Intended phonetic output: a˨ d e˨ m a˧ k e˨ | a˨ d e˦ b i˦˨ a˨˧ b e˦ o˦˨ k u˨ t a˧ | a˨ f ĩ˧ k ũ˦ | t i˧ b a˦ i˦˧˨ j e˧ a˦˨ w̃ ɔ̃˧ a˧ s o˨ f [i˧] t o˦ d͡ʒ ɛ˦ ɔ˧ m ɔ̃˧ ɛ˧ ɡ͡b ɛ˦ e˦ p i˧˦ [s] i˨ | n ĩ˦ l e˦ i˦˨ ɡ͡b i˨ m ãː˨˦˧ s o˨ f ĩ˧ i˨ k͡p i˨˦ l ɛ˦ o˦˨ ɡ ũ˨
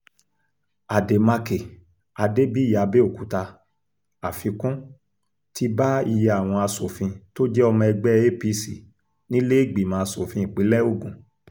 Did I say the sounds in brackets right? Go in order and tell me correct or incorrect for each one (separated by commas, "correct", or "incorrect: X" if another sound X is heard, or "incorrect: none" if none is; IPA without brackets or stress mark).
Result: incorrect: ĩ˧, correct